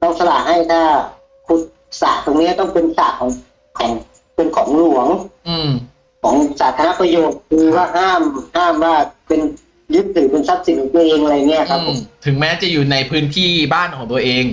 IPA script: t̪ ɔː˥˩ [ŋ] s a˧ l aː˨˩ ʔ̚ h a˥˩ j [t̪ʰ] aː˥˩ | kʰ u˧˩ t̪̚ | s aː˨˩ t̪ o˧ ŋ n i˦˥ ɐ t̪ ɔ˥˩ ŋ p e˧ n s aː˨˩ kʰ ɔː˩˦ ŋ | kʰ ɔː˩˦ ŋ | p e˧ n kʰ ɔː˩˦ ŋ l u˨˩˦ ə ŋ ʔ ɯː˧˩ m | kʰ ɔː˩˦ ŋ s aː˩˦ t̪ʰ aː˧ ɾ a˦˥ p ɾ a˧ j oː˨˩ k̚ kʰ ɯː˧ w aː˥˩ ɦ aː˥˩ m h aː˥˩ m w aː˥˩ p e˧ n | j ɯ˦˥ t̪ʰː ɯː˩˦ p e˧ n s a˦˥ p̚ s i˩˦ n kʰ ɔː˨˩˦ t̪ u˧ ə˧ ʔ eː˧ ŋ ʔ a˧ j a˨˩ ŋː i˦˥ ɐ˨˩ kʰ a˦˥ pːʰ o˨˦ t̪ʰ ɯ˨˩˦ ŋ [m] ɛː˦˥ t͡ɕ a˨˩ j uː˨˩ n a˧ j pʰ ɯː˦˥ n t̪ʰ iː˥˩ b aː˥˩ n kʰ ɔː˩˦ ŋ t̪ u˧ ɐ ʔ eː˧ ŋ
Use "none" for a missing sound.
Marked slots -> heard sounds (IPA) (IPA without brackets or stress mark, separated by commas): ŋ, t̪ʰ, m